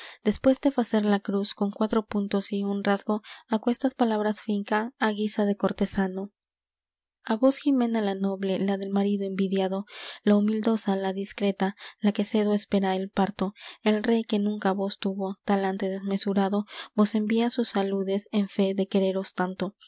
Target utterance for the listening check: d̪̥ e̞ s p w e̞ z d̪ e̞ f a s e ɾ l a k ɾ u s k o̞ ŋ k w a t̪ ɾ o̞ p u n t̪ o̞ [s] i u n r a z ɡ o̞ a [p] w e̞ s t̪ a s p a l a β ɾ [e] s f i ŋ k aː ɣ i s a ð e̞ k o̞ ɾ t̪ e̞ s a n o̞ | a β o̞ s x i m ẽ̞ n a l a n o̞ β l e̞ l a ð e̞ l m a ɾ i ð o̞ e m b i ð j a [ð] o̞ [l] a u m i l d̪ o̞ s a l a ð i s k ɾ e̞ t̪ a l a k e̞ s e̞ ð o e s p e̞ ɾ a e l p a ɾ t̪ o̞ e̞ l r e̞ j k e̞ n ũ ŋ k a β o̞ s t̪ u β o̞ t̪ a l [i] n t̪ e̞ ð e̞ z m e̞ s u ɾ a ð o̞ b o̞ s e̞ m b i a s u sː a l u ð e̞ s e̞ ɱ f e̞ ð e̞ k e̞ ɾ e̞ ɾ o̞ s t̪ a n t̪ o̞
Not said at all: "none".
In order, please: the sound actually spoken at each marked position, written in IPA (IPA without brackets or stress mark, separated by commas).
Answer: s, k, a, ð, l, a